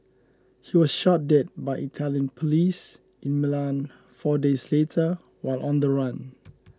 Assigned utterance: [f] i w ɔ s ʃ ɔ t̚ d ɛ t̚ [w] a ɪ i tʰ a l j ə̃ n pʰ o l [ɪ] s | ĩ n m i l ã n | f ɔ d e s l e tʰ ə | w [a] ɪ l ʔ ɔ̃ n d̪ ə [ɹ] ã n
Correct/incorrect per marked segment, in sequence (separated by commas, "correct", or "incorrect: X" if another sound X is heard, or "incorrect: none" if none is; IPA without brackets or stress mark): incorrect: h, incorrect: b, incorrect: i, correct, correct